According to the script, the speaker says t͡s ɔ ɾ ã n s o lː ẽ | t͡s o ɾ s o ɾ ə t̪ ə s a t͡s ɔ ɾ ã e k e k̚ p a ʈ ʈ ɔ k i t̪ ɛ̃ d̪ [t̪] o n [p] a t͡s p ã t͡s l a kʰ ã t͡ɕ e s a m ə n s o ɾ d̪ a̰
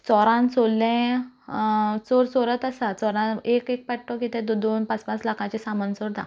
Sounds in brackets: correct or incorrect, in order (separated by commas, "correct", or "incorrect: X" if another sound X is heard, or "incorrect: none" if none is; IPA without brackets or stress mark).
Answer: incorrect: d̪, correct